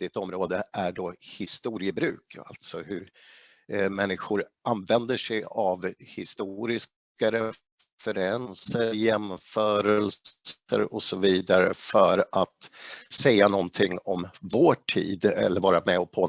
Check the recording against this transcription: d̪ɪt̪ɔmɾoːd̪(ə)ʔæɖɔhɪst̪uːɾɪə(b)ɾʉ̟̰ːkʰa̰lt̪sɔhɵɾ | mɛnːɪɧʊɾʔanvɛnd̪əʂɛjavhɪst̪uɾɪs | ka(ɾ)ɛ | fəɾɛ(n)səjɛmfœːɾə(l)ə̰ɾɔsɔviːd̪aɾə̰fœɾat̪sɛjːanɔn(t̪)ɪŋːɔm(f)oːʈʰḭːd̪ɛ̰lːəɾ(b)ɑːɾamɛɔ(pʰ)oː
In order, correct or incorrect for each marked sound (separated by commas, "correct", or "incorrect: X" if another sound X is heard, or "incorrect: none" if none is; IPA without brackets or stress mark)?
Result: correct, correct, correct, correct, correct, incorrect: t̪ʰ, incorrect: v, incorrect: v, correct